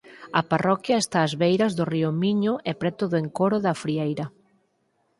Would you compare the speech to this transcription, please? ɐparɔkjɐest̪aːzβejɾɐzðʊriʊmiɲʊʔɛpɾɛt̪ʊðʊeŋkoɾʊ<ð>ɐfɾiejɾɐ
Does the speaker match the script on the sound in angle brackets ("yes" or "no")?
yes